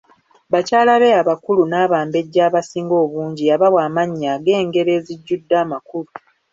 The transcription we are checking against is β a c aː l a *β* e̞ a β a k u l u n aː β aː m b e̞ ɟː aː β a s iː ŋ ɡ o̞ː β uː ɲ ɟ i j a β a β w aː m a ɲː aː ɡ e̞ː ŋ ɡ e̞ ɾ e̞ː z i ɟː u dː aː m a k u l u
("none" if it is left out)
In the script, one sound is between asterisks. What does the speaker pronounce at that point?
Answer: β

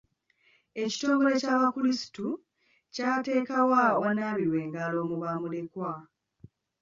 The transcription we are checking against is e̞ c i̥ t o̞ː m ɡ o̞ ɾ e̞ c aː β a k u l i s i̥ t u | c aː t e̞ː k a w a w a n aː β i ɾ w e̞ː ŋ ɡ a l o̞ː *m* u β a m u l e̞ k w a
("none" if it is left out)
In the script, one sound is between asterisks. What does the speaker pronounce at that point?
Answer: m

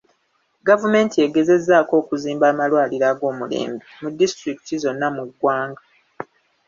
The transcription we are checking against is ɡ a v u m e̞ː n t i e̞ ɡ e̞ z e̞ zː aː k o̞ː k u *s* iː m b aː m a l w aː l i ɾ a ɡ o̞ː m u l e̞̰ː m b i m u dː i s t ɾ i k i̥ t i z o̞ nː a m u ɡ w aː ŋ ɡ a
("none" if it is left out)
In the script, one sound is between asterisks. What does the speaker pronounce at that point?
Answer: z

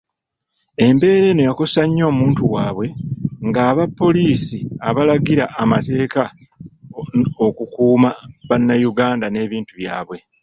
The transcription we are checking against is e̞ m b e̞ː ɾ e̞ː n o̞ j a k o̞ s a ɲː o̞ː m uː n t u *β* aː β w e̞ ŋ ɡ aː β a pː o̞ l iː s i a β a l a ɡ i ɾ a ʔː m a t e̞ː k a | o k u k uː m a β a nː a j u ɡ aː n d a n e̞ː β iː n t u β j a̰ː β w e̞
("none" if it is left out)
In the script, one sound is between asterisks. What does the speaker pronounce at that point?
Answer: w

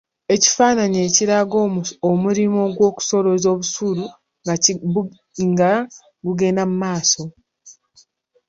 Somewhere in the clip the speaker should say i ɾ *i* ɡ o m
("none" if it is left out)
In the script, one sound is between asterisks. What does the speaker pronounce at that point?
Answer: a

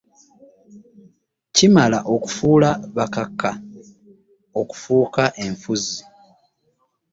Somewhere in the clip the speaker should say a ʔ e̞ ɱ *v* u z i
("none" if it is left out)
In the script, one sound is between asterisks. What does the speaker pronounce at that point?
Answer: f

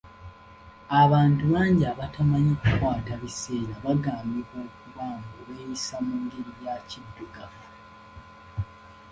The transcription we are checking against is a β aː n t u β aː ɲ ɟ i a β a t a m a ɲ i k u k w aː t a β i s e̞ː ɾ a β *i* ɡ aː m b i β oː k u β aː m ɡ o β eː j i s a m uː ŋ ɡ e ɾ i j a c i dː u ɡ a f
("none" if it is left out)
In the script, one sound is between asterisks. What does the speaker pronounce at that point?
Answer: a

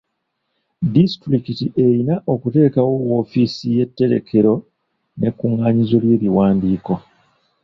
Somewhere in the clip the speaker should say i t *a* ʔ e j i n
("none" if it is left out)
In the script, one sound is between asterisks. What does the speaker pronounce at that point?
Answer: i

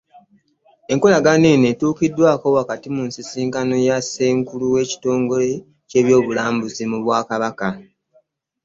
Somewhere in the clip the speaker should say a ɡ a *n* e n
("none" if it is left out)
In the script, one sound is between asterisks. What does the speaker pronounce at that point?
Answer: n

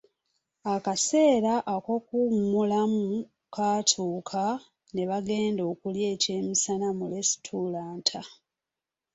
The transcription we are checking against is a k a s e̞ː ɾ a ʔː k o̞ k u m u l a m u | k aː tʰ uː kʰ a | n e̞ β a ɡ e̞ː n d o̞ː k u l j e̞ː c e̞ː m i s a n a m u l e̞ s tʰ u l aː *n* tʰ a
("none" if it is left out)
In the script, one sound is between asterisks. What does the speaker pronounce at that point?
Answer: n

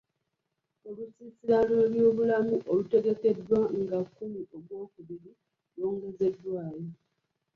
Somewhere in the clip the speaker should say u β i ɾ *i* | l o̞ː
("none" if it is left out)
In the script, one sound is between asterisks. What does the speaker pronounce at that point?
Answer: i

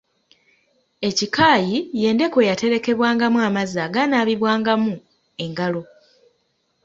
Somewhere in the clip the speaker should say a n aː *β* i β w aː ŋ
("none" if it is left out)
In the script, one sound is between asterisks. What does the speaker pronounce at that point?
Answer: β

